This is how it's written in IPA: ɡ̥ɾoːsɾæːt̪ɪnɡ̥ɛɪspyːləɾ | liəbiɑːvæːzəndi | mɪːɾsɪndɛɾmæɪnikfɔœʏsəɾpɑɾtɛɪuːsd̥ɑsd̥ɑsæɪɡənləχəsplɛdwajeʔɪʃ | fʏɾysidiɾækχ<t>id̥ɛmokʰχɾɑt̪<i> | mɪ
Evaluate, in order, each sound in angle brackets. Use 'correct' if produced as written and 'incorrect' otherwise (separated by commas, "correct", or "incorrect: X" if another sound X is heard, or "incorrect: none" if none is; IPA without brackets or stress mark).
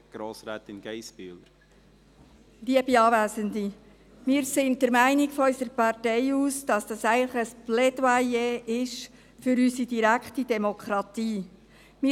correct, incorrect: iː